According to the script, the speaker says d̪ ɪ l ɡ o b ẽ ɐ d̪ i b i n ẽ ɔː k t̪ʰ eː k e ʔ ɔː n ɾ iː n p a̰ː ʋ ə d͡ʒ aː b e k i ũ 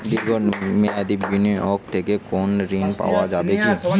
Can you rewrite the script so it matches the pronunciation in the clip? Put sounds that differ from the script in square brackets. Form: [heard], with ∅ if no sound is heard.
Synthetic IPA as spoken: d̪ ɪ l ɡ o [m] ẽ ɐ d̪ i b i n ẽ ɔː k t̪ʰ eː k e [k] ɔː n ɾ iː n p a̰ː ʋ [a] d͡ʒ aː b e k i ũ